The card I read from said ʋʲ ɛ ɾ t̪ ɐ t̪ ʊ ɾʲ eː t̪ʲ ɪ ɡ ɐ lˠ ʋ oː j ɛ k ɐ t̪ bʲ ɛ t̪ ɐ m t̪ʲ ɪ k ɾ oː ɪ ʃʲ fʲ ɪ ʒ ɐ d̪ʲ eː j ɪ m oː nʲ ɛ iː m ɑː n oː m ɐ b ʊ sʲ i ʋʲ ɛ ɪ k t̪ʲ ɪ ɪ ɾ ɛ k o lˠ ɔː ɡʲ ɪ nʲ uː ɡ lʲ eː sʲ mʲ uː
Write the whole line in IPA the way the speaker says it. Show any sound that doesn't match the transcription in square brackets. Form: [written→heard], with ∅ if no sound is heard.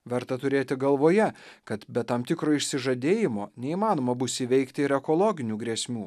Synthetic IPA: ʋʲ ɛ ɾ t̪ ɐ t̪ ʊ ɾʲ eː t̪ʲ ɪ ɡ ɐ lˠ ʋ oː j ɛ k ɐ t̪ bʲ ɛ t̪ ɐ m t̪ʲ ɪ k ɾ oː ɪ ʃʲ [fʲ→sʲ] ɪ ʒ ɐ d̪ʲ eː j ɪ m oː nʲ ɛ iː m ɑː n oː m ɐ b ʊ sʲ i ʋʲ ɛ ɪ k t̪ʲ ɪ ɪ ɾ ɛ k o lˠ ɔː ɡʲ ɪ nʲ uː ɡ [lʲ→ɾʲ] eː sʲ mʲ uː